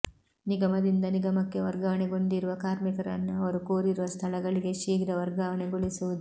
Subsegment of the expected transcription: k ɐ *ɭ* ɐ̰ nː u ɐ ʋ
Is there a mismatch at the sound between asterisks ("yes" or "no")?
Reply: yes